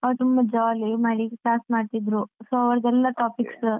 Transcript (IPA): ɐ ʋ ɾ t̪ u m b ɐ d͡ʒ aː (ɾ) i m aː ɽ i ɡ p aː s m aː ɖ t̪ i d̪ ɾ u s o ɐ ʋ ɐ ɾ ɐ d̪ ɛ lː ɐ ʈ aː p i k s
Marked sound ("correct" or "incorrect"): incorrect